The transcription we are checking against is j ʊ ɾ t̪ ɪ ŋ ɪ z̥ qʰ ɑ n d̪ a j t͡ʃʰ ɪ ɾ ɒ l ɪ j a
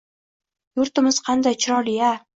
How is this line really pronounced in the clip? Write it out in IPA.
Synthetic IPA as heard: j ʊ ɾ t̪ ɪ m ɪ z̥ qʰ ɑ n d̪ a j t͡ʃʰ ɪ ɾ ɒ l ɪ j a